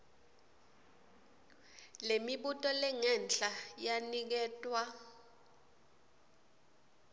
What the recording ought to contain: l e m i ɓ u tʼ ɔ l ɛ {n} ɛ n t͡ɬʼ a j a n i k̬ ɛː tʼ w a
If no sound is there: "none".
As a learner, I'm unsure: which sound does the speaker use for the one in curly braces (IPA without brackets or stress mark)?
ŋ